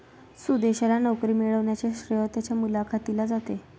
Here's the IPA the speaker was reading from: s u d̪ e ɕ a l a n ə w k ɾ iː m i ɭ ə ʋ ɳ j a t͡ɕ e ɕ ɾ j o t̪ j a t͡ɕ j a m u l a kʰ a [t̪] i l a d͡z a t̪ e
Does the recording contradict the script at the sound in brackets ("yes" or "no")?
no